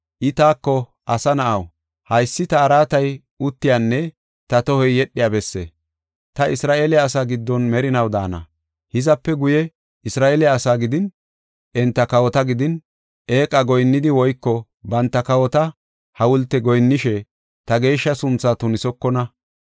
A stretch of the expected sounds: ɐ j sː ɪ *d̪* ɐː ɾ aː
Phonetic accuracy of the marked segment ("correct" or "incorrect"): incorrect